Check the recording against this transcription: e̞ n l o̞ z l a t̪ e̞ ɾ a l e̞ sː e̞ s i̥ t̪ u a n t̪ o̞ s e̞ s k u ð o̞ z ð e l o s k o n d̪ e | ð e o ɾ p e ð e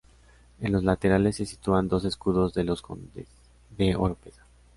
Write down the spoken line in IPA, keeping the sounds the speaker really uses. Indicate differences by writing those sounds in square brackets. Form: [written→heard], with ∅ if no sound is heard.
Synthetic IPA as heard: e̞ n l o̞ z l a t̪ e̞ ɾ a l e̞ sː e̞ s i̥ t̪ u a n [t̪→d̪] o̞ s e̞ s k u ð o̞ z ð e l o s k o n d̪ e | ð e o ɾ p e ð [e→a]